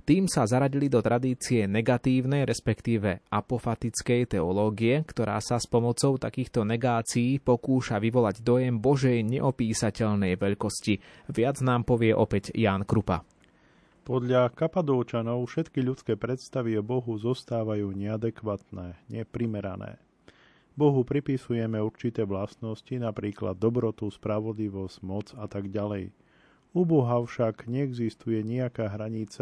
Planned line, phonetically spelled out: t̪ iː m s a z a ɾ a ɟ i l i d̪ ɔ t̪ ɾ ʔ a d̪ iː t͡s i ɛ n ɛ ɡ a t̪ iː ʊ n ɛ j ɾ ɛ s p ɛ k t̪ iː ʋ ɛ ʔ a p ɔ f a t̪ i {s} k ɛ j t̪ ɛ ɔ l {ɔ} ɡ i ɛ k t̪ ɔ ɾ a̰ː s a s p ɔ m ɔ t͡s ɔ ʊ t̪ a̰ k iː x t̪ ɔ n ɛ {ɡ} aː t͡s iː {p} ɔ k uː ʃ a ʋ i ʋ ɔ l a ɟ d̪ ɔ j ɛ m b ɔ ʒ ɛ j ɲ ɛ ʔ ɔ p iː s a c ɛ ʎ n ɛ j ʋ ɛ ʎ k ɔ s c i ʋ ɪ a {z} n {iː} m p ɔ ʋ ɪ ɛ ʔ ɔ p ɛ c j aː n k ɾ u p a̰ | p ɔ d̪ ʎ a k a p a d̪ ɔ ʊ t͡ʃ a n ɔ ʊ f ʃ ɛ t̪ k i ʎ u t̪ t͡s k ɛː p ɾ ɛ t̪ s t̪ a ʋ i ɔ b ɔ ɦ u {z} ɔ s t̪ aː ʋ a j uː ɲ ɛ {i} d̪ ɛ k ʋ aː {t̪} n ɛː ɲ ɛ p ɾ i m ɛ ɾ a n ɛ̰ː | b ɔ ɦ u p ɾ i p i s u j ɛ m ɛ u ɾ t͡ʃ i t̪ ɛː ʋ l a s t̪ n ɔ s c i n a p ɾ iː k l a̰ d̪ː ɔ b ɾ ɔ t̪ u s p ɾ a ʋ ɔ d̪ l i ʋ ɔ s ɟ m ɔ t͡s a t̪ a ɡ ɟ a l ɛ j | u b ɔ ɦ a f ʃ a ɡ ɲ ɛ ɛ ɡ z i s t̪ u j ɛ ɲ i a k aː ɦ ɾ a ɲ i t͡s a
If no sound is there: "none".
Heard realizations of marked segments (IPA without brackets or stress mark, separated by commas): t͡s, ɔː, ɡ, p, d͡z, aː, z, a, t̪